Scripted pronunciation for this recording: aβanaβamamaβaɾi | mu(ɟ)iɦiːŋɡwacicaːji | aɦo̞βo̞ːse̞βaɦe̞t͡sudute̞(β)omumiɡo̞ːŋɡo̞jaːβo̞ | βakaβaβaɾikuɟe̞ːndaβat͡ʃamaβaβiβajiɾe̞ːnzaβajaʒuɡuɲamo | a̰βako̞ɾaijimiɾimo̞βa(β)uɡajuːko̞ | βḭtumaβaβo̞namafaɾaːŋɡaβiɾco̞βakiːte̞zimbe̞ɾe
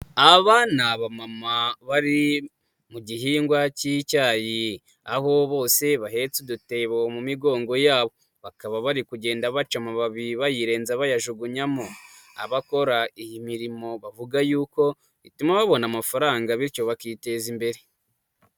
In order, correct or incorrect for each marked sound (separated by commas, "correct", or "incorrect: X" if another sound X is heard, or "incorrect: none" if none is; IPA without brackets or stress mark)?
correct, correct, incorrect: v